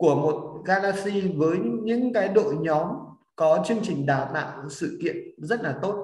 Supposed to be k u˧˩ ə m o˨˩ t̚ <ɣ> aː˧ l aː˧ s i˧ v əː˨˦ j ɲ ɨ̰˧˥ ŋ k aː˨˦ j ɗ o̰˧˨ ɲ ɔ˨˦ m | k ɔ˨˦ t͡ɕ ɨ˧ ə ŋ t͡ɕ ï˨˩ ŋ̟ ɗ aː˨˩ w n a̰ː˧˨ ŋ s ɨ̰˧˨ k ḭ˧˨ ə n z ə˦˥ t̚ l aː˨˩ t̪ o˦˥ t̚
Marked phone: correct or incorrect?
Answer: correct